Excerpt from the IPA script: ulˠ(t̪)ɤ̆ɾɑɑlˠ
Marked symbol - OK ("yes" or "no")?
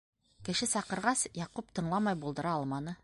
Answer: no